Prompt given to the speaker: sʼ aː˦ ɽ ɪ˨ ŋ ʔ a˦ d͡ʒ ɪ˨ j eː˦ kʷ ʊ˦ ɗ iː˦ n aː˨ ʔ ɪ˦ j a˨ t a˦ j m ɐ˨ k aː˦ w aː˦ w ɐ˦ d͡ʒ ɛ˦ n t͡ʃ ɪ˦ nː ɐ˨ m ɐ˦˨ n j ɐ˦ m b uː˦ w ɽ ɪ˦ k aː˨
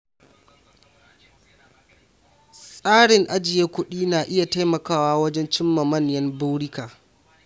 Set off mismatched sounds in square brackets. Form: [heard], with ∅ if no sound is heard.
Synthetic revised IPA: sʼ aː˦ ɽ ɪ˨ ŋ ʔ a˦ d͡ʒ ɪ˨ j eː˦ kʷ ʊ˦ ɗ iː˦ n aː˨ ʔ ɪ˦ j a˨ t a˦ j m ɐ˨ k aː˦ w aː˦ w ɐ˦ d͡ʒ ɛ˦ n t͡ʃ ɪ˦ [mː] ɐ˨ m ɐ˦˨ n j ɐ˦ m b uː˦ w ɽ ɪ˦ k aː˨